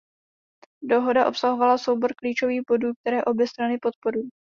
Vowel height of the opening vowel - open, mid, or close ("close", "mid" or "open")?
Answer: mid